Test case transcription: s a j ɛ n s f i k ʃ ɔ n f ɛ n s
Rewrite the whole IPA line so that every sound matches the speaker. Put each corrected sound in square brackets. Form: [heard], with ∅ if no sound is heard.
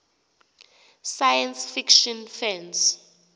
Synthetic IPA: s a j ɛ n s f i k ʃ ɔ n f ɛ n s

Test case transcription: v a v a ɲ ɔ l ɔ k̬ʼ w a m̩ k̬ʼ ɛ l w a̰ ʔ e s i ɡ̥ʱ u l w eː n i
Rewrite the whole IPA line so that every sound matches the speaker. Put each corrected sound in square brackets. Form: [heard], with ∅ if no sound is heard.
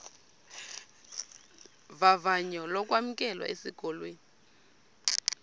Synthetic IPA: v a v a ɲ ɔ l ɔ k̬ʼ w a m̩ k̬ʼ ɛ l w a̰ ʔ e s i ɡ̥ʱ [ɔ] l w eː n i

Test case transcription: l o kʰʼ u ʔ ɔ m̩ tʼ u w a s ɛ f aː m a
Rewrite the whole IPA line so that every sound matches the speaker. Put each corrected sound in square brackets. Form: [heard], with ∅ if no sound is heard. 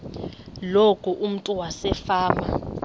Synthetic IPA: l o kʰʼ u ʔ [u] m̩ tʼ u w a s ɛ f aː m a

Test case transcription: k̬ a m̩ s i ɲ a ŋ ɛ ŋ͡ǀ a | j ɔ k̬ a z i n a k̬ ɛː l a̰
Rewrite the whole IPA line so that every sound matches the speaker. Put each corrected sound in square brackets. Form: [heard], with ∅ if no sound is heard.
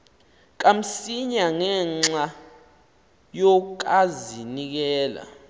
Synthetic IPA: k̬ a m̩ s i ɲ a ŋ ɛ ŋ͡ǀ a | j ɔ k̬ a z i n [i] k̬ ɛː l a̰

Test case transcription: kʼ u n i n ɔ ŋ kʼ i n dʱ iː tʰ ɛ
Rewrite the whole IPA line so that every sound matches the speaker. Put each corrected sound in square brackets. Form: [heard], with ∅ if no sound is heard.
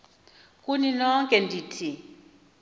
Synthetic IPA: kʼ u n i n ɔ ŋ kʼ [ɛ] n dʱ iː tʰ [i]

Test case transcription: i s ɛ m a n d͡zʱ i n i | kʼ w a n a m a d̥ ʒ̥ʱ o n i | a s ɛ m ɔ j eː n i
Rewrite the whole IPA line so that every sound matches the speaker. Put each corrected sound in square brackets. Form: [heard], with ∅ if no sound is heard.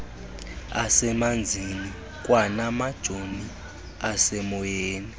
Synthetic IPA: [a] s ɛ m a n d͡zʱ i n i | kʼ w a n a m a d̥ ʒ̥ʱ o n i | a s ɛ m ɔ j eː n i

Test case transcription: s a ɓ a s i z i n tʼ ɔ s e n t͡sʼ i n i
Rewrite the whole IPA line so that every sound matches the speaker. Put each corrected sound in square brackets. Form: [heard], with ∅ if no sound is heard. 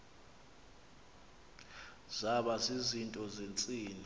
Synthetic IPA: [z] a ɓ a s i z i n tʼ ɔ [z] e n t͡sʼ [iː] n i

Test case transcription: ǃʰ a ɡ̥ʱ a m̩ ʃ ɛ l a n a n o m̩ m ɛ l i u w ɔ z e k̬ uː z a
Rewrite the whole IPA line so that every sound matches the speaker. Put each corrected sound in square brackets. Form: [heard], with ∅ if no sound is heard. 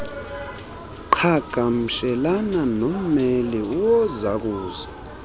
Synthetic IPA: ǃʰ a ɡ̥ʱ a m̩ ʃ ɛ l a n a n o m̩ m ɛ l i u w ɔ z [a] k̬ uː z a

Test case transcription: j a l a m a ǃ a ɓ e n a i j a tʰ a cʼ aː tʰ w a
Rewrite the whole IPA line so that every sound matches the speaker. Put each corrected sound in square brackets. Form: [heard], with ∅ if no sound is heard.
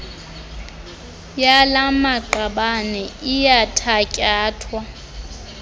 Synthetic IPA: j a l a m a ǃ a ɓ [a] n [ɛ] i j a tʰ a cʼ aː tʰ w a

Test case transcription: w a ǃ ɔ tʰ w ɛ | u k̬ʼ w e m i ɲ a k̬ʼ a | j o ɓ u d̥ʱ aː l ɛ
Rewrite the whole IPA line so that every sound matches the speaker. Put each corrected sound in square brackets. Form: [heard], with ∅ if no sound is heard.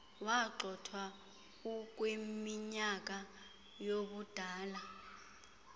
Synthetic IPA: w a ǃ ɔ tʰ w [a] | u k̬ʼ w e m i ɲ a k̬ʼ a | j o ɓ u d̥ʱ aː l [a]

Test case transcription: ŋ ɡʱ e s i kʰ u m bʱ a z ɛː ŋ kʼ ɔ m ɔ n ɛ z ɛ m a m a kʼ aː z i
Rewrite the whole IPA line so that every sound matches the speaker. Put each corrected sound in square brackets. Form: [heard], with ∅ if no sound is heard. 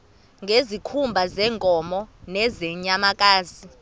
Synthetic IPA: ŋ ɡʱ e [z] i kʰ u m bʱ a z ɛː ŋ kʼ ɔ m ɔ n ɛ z ɛ [ɲ] a m a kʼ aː z i

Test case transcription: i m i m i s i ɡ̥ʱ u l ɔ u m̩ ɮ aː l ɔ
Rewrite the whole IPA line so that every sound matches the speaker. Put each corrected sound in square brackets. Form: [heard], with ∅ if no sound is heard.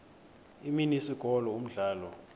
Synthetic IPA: i m i [n] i s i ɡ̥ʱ [ɔ] l ɔ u m̩ ɮ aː l ɔ

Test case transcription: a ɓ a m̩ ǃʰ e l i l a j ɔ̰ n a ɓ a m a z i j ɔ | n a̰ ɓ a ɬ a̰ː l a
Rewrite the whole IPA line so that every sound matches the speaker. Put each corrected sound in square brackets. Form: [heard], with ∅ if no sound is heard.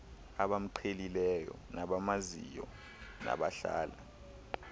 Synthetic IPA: a ɓ a m̩ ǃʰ e l i l [ɛ] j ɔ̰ n a ɓ a m a z i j ɔ | n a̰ ɓ a ɬ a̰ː l a

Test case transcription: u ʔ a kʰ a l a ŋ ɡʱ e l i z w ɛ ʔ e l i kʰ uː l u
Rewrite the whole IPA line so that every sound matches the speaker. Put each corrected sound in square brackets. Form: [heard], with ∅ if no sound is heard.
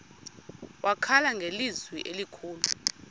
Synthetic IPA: [w] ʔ a kʰ a l a ŋ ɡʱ e l i z w [i] ʔ e l i kʰ uː l u

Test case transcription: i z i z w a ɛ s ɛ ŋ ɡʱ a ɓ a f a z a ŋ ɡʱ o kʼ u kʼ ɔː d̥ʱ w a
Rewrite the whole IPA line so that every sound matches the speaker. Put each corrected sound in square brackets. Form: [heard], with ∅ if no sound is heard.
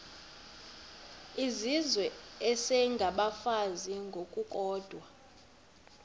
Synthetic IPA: i z i z w [ɛ] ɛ s ɛ ŋ ɡʱ a ɓ a f a z [i] ŋ ɡʱ o kʼ u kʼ ɔː d̥ʱ w a

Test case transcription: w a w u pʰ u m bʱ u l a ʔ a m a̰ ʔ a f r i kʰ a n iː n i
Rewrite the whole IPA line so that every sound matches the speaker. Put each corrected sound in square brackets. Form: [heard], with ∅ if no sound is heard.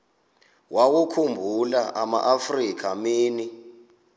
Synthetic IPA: w a w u [kʰ] u m bʱ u l a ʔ a m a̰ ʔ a f r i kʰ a [m] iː n i

